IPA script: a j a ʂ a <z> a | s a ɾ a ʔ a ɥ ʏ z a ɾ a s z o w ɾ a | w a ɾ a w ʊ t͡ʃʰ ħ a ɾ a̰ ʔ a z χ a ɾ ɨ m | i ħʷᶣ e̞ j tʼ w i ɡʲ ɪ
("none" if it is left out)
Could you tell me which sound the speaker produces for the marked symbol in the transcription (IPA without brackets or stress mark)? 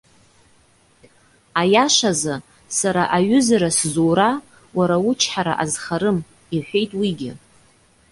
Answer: z